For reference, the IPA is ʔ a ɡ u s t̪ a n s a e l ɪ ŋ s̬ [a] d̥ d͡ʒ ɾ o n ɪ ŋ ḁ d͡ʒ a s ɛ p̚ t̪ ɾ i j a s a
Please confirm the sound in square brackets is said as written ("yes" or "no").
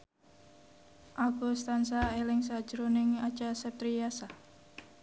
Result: yes